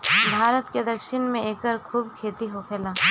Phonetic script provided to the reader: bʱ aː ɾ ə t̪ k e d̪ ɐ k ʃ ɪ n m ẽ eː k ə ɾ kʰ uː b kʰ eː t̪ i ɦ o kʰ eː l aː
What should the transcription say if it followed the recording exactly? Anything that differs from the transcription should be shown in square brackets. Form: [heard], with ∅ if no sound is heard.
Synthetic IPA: bʱ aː ɾ ə t̪ k e d̪ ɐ k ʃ ɪ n m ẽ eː k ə ɾ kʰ uː b kʰ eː t̪ i ɦ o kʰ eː l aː